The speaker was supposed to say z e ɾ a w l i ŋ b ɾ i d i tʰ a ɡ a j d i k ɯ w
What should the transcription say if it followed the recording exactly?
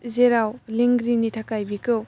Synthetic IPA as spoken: z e ɾ a w l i ŋ ɡ ɾ i n i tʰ a k a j b i k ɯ w